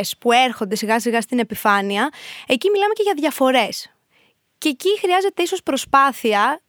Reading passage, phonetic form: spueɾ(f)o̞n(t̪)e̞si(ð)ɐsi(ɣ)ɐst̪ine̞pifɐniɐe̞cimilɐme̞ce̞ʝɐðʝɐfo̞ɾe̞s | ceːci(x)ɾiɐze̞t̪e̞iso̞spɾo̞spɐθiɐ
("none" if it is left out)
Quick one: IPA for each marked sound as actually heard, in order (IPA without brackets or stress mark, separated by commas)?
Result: x, d̪, ɣ, ɣ, x